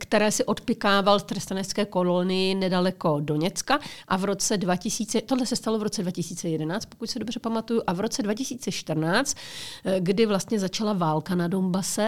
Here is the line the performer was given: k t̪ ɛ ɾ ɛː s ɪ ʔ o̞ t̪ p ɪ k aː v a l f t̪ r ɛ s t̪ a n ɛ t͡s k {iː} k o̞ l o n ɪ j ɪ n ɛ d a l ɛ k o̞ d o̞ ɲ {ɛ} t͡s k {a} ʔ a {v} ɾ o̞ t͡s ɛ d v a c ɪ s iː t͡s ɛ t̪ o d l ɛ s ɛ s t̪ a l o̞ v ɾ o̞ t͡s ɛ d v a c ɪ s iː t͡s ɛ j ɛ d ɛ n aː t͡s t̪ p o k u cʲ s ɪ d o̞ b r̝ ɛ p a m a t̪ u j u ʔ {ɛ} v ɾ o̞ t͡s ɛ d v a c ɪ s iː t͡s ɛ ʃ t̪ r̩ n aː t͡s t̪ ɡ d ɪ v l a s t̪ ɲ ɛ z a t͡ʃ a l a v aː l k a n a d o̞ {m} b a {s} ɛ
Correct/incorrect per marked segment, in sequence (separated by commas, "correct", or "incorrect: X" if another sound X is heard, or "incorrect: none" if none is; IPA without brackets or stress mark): incorrect: ɛː, correct, correct, correct, incorrect: a, correct, correct